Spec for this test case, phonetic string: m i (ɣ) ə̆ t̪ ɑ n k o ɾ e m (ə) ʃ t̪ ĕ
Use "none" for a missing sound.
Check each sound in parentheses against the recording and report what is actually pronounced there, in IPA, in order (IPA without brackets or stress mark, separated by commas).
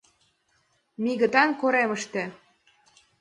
ɣ, ə